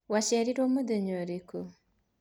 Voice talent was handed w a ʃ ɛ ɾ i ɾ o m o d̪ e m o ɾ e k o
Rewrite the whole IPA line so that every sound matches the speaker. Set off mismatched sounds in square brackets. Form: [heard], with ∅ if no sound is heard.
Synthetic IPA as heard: w a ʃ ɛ ɾ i ɾ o m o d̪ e [ɲ] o ɾ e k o